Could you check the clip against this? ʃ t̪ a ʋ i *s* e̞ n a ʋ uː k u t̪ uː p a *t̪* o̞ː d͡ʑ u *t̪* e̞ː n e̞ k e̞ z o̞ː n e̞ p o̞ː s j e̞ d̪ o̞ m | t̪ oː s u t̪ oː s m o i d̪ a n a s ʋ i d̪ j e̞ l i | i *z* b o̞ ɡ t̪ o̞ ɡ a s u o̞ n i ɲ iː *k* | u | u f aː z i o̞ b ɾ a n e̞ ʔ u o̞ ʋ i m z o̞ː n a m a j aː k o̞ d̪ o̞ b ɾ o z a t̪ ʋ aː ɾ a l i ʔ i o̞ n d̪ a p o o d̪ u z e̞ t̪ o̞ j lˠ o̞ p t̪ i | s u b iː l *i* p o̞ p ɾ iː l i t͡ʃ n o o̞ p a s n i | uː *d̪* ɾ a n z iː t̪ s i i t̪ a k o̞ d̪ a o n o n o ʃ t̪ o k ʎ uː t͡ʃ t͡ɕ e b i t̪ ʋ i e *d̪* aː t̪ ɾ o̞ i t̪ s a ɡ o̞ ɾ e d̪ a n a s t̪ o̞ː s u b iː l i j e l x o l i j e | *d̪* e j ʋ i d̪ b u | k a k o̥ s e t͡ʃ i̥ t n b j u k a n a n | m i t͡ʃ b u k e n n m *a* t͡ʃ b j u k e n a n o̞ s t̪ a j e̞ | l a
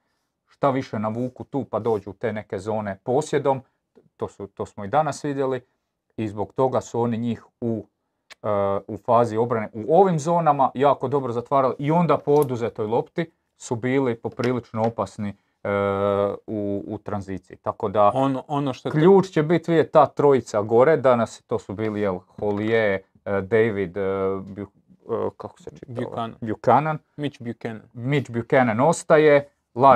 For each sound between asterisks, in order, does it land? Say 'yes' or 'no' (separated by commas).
no, no, yes, yes, no, yes, no, no, yes, no